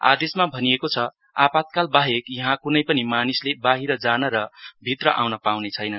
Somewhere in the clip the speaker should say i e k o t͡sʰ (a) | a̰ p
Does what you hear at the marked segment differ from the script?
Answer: yes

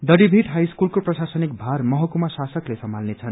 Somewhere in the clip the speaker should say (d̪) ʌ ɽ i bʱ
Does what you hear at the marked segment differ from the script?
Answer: no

